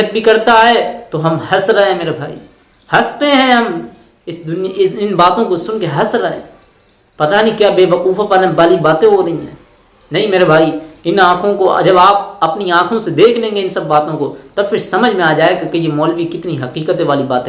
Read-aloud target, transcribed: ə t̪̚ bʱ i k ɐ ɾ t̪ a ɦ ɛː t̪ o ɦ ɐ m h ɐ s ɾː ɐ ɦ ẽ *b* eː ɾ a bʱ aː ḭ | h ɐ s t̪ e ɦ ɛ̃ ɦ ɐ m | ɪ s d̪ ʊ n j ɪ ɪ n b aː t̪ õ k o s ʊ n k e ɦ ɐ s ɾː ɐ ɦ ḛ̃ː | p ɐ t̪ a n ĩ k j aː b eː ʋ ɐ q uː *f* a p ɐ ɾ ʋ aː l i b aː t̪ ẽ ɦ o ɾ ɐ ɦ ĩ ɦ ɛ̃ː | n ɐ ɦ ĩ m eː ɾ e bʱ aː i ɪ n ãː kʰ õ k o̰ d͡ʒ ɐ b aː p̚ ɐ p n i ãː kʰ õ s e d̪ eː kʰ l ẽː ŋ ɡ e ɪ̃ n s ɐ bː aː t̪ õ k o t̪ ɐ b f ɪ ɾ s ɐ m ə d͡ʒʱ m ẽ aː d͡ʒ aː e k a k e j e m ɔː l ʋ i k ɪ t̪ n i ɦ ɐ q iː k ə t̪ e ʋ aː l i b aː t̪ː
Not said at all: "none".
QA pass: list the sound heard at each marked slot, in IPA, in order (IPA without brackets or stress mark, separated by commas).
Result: m, f